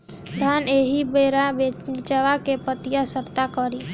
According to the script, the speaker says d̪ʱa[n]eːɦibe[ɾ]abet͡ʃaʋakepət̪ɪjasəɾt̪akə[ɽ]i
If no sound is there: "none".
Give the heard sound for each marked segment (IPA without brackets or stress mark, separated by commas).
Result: n, ɾ, ɾ